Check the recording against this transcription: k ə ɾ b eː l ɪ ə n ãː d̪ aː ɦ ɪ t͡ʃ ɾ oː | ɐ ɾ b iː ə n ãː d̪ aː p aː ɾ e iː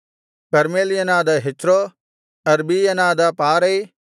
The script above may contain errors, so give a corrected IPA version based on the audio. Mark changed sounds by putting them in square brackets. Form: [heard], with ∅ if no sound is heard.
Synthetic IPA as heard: k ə ɾ [m] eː l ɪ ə n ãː d̪ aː ɦ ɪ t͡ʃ ɾ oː | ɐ ɾ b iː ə n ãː d̪ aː p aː ɾ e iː